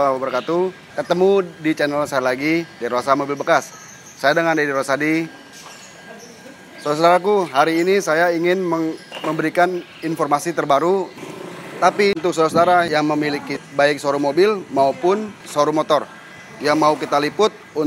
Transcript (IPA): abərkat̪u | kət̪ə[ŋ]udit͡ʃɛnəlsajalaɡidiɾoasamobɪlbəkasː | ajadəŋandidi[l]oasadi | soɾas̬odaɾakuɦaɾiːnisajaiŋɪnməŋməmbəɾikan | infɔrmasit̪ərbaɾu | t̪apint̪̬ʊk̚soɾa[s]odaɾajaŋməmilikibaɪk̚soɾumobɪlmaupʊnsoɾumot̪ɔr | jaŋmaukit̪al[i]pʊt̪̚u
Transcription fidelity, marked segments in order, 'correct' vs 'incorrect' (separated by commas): incorrect, incorrect, correct, correct